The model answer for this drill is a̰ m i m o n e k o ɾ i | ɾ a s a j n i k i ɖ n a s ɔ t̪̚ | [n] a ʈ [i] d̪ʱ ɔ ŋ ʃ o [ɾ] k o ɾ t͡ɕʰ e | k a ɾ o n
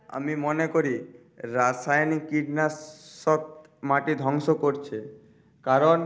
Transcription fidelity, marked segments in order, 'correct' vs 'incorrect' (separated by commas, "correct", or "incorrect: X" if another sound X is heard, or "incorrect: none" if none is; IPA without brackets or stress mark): incorrect: m, correct, incorrect: none